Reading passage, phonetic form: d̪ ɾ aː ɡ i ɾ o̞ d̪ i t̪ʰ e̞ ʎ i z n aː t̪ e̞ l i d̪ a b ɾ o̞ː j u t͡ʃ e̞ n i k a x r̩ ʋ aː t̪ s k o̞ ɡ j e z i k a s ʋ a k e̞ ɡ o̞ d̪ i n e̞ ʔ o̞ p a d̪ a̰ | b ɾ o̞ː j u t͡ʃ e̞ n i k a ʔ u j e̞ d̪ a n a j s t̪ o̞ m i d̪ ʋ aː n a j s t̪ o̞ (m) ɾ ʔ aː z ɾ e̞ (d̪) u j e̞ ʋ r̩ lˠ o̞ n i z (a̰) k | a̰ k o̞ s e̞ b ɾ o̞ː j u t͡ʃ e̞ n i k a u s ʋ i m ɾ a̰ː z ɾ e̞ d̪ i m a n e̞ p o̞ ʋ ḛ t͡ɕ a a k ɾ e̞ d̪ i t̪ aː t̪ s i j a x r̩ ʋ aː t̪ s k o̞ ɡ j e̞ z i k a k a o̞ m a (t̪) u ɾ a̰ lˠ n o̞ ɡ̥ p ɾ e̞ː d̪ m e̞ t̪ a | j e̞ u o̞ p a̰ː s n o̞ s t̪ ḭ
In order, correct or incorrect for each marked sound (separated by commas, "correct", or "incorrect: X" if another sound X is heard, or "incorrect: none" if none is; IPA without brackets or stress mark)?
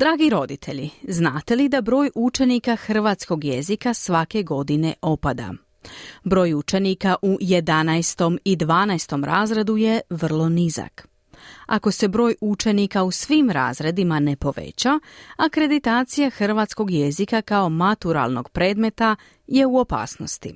correct, correct, correct, correct